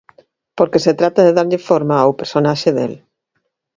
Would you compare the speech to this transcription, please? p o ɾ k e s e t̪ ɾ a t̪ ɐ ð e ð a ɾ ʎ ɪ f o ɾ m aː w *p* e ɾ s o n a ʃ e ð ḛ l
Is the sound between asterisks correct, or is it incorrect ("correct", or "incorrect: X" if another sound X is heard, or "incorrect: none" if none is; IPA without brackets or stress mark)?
correct